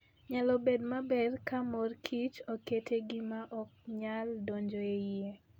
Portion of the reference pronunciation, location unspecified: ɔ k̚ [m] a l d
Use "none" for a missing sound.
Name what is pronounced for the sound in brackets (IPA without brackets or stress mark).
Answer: ɲ